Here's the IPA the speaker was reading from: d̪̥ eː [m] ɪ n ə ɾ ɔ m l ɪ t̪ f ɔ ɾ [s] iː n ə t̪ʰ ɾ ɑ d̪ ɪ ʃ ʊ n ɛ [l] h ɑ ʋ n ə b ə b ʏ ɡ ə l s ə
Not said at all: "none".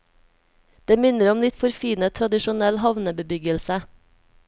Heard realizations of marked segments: m, f, l

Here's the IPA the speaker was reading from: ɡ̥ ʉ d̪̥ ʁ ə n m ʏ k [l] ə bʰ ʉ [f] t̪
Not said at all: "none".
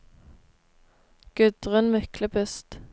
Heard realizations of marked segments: l, s

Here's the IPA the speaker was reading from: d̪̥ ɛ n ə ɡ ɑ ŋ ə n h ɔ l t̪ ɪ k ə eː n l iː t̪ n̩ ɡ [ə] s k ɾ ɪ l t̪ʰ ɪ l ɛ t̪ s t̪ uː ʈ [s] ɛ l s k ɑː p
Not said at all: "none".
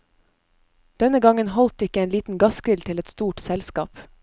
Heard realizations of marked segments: ɑ, s

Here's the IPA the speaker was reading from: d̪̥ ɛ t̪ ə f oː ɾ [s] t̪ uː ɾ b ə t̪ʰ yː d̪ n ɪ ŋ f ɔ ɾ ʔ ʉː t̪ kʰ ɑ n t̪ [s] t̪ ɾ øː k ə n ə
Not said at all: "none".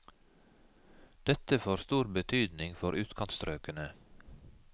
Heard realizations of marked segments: s, s

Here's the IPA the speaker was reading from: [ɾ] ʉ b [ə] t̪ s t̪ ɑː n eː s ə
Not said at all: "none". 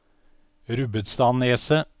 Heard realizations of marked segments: ɾ, ə

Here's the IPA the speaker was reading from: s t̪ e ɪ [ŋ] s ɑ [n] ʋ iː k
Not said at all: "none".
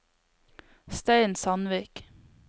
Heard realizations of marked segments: n, n

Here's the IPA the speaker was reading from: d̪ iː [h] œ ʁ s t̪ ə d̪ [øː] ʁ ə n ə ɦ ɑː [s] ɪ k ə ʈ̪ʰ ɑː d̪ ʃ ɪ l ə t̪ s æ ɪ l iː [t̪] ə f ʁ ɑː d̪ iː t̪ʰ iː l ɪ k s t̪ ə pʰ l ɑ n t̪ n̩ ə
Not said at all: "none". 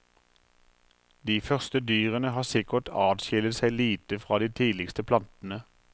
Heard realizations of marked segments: f, yː, s, t̪

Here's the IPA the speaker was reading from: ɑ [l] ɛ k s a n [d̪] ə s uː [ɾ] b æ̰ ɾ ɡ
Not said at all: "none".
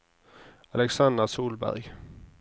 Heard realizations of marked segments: l, d̪, l

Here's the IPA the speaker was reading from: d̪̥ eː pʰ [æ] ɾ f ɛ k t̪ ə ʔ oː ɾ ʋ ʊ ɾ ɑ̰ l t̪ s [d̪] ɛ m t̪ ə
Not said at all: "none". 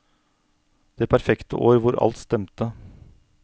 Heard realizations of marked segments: æ, t̪

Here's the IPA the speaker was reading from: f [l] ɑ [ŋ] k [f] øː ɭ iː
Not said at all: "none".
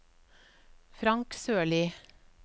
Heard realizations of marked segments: ɾ, ŋ, s

